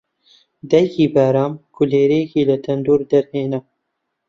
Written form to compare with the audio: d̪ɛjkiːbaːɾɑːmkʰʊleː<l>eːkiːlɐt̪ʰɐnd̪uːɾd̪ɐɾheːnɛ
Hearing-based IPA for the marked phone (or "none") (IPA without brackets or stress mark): ɾ